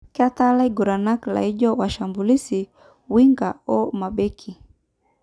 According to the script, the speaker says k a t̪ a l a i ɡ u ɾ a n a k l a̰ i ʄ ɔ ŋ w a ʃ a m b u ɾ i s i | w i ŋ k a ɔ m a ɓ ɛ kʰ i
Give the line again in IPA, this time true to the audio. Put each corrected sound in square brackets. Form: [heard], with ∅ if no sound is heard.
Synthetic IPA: k a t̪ a l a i ɡ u ɾ a n a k l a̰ i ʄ ɔ [∅] w a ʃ a m b u [l] i s i | w i ŋ [ɡ] a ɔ m a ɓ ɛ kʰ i